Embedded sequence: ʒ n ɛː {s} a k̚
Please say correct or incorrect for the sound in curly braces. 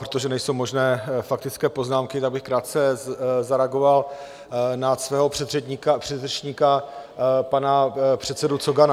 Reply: incorrect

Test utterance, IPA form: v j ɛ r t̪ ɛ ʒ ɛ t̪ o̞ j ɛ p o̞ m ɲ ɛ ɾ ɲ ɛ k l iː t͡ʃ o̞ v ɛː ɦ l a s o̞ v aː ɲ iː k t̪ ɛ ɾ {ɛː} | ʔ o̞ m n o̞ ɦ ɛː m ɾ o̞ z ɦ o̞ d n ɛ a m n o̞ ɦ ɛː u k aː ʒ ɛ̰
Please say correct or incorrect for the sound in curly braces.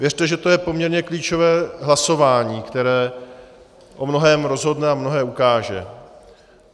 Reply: correct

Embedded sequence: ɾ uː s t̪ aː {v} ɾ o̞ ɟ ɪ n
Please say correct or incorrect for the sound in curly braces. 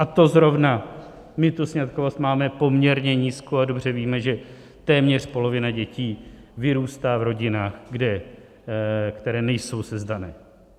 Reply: correct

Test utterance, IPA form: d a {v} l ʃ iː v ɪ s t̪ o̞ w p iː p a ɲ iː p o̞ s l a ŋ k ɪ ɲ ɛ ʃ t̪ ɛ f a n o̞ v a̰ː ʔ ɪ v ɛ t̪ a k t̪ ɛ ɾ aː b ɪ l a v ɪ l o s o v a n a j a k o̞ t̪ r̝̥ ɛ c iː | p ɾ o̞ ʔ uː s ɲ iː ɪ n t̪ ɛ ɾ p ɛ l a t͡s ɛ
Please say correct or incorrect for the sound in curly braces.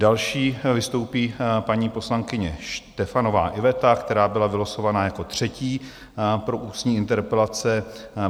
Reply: incorrect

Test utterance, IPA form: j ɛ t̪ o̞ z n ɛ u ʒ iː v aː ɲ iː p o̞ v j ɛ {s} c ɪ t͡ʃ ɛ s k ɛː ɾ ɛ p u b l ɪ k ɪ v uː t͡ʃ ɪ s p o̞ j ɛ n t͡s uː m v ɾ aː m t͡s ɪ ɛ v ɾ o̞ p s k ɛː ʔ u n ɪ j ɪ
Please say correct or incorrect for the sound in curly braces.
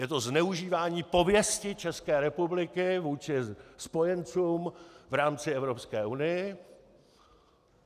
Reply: correct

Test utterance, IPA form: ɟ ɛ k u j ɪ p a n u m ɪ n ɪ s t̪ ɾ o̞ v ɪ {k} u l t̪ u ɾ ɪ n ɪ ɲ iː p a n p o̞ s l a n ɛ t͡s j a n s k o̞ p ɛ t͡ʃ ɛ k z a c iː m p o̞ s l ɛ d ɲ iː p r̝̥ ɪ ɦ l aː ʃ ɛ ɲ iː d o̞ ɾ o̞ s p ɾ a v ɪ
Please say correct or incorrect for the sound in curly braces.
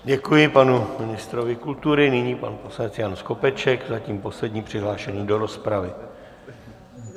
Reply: correct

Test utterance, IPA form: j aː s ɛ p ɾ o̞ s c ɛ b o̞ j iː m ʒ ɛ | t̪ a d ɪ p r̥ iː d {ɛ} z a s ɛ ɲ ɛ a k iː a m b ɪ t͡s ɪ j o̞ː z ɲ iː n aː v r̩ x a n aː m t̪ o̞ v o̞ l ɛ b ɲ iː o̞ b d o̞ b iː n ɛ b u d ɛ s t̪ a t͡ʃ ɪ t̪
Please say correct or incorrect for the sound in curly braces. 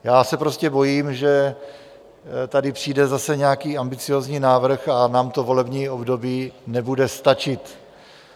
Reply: correct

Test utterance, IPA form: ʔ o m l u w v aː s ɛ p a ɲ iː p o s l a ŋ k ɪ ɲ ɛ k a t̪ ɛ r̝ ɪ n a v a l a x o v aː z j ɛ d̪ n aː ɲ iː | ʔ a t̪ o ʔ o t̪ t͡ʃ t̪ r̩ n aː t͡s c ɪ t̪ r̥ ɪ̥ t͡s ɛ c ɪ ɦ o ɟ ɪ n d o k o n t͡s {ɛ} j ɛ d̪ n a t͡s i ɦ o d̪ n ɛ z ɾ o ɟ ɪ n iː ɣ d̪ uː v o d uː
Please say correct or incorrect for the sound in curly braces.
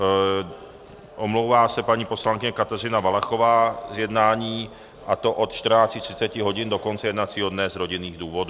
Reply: correct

